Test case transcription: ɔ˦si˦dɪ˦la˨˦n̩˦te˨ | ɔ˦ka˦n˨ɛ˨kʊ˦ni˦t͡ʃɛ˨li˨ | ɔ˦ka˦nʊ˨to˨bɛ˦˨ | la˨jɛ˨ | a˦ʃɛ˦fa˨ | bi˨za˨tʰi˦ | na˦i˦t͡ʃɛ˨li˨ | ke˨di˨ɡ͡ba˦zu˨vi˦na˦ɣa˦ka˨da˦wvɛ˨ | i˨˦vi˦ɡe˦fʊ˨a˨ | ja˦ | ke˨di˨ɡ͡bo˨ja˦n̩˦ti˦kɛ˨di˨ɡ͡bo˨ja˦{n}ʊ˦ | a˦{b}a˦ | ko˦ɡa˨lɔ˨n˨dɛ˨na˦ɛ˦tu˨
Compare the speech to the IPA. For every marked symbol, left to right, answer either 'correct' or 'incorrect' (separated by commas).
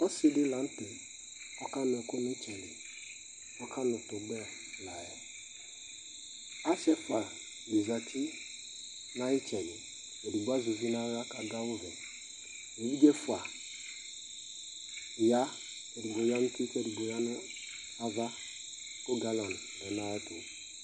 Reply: correct, incorrect